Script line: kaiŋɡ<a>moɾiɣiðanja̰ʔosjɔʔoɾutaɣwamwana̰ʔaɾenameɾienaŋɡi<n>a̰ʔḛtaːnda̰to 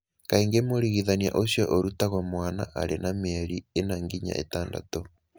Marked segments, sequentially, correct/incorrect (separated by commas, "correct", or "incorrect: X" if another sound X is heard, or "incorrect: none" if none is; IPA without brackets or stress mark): incorrect: e, incorrect: ɲ